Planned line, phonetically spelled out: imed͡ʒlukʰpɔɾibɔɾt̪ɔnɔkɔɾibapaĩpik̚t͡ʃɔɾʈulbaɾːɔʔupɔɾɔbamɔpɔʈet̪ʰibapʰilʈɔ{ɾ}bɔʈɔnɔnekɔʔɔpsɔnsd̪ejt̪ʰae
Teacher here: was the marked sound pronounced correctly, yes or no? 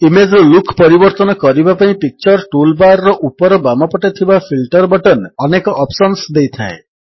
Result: yes